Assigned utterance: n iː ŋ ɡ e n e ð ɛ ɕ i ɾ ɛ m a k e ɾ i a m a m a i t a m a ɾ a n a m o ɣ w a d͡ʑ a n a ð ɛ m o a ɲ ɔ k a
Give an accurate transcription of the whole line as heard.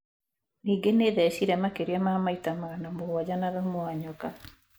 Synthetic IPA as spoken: n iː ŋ ɡ e n e ð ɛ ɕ i ɾ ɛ m a k e ɾ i a m a m a i t a m a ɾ a n a m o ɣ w a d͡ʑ a n a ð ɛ m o a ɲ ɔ k a